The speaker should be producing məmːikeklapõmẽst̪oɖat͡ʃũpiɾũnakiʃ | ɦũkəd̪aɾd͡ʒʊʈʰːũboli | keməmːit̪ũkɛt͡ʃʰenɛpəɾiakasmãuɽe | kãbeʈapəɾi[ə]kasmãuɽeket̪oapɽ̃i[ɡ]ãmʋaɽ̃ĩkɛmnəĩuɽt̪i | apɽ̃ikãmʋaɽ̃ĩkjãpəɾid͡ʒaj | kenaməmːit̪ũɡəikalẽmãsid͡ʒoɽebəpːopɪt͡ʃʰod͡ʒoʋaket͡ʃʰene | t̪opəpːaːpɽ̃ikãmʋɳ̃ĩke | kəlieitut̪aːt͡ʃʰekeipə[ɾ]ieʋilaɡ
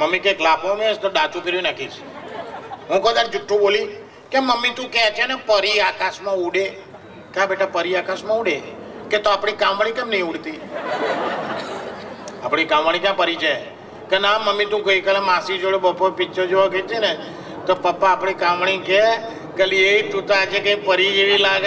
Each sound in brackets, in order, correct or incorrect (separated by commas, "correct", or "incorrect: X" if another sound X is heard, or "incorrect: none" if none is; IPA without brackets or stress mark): incorrect: a, incorrect: k, correct